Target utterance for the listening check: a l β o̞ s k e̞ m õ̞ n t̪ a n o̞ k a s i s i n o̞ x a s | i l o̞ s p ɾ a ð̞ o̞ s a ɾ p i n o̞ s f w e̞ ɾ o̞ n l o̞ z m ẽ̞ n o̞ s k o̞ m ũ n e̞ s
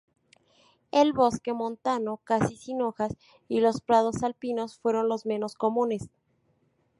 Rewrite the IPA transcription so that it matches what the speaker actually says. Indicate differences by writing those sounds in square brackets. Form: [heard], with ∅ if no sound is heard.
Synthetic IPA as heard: [e] l β o̞ s k e̞ m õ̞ n t̪ a n o̞ k a s i s i n o̞ x a s | i l o̞ s p ɾ a ð̞ o̞ s a [l] p i n o̞ s f w e̞ ɾ o̞ n l o̞ z m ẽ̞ n o̞ s k o̞ m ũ n e̞ s